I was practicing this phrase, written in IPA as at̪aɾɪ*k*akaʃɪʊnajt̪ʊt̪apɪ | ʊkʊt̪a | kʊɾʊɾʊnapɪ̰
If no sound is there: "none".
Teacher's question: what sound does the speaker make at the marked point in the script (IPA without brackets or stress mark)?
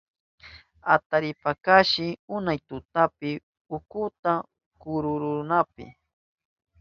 p